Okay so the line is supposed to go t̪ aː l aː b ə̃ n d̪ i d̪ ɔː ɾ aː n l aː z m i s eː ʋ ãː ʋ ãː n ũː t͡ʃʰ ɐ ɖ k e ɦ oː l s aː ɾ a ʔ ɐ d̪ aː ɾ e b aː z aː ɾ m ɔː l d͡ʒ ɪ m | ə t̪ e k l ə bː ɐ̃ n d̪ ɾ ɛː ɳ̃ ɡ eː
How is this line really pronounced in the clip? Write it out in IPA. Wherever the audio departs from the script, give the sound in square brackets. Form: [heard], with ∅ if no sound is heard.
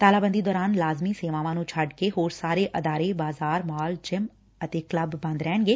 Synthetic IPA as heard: t̪ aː l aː b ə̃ n d̪ i d̪ ɔː ɾ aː n l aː z m i s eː ʋ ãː ʋ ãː n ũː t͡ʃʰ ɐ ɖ k e ɦ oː [ɾ] s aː ɾ [e] ʔ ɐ d̪ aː ɾ e b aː z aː ɾ m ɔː l d͡ʒ ɪ m | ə t̪ e k l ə bː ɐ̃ n d̪ ɾ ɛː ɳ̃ ɡ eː